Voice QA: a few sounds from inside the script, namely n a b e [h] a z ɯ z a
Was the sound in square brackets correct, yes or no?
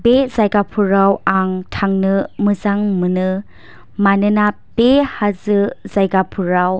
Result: yes